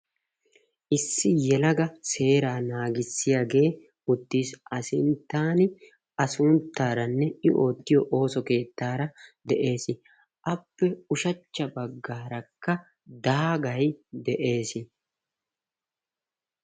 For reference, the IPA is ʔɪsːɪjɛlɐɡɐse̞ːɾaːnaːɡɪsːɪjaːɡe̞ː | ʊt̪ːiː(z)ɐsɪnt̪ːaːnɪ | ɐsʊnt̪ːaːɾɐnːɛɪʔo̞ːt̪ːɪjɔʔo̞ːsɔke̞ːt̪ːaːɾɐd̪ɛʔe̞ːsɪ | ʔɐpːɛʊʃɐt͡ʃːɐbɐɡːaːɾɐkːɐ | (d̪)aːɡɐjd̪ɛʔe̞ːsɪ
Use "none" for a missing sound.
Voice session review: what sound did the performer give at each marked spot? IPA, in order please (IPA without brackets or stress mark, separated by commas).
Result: s, d̪